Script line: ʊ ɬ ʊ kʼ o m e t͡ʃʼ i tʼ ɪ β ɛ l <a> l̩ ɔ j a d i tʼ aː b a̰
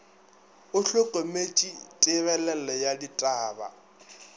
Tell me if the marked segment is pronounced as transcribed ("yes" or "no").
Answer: no